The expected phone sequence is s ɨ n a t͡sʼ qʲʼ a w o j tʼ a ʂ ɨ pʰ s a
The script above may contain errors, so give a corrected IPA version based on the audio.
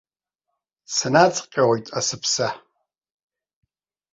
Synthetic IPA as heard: s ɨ n a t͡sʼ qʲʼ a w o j tʼ a s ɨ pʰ s a